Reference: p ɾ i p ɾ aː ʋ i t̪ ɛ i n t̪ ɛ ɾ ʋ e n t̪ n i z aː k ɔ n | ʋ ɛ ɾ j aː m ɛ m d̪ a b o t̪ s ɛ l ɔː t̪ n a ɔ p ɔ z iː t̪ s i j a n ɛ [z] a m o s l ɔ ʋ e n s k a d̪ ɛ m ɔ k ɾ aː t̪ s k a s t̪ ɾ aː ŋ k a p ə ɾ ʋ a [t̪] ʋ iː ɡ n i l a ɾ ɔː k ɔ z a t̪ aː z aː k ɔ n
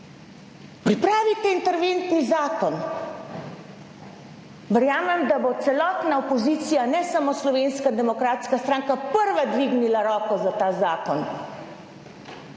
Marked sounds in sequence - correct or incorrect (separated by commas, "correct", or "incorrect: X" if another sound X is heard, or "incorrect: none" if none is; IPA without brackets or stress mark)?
incorrect: s, incorrect: d̪